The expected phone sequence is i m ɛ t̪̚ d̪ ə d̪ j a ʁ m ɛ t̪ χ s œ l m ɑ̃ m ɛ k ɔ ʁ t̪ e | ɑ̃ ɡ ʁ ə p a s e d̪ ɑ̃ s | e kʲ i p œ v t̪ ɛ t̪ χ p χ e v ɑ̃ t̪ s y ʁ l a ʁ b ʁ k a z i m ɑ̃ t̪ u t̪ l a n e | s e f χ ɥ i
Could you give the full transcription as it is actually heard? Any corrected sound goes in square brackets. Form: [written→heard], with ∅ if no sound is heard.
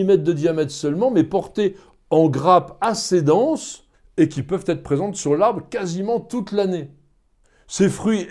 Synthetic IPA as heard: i m ɛ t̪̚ d̪ ə d̪ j a [ʁ→∅] m ɛ t̪ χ s œ l m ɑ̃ m ɛ [k→p] ɔ ʁ t̪ e | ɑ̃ ɡ ʁ [ə→a] p a s e d̪ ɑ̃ s | e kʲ i p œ v t̪ ɛ t̪ χ p χ e [v→z] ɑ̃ t̪ s y ʁ l a ʁ b ʁ k a z i m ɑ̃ t̪ u t̪ l a n e | s e f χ ɥ i